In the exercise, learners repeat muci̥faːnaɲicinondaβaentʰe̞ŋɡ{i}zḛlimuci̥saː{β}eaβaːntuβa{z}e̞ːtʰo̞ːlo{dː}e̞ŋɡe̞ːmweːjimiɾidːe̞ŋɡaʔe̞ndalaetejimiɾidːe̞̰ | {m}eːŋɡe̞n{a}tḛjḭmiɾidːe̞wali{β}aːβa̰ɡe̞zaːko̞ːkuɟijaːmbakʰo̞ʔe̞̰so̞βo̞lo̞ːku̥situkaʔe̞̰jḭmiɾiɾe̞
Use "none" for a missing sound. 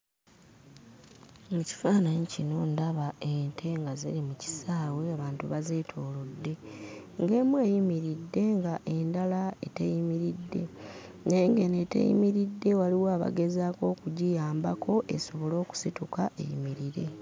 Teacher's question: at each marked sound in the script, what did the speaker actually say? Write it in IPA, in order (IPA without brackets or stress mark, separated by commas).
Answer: a, w, z, dː, n, e, w